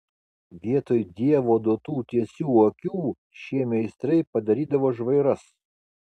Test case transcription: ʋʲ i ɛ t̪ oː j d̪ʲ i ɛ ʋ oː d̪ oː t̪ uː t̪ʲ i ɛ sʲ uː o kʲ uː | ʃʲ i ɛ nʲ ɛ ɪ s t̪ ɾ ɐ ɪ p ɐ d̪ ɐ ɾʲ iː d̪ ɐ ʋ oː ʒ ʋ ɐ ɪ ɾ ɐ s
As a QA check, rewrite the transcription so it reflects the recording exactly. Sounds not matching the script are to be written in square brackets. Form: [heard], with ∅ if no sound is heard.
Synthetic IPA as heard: ʋʲ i ɛ t̪ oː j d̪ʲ i ɛ ʋ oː d̪ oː t̪ uː t̪ʲ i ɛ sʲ uː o kʲ uː | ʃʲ i ɛ [mʲ] ɛ ɪ s t̪ ɾ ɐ ɪ p ɐ d̪ ɐ ɾʲ iː d̪ ɐ ʋ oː ʒ ʋ ɐ ɪ ɾ ɐ s